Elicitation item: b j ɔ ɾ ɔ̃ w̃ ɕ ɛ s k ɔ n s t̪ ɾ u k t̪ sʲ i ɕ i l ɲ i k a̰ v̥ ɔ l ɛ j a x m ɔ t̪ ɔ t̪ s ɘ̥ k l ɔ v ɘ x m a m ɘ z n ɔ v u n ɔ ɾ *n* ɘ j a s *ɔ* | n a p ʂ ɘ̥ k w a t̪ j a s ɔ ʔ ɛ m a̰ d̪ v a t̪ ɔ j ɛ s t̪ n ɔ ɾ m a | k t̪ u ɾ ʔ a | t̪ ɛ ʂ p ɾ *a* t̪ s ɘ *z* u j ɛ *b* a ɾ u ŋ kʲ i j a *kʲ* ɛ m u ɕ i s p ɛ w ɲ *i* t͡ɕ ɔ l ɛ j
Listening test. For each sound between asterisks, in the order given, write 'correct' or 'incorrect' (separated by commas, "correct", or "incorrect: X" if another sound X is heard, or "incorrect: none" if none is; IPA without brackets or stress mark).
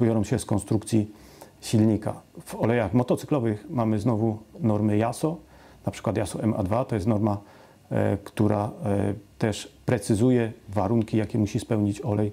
incorrect: m, correct, incorrect: ɛ, correct, incorrect: v, correct, correct